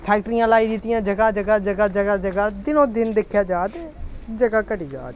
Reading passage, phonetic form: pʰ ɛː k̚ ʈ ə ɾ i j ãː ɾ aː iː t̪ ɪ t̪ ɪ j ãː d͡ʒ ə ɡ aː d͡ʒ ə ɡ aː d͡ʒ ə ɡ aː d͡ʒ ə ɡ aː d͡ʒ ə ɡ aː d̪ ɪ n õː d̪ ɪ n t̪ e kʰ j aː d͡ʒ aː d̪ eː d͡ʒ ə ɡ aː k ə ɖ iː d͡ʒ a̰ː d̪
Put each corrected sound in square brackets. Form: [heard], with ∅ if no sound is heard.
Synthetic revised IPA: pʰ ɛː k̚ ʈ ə ɾ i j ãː [l] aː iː [d̪] ɪ t̪ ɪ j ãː d͡ʒ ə ɡ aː d͡ʒ ə ɡ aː d͡ʒ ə ɡ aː d͡ʒ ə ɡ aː d͡ʒ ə ɡ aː d̪ ɪ n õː d̪ ɪ n [d̪] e kʰ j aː d͡ʒ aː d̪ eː d͡ʒ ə ɡ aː k ə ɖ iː d͡ʒ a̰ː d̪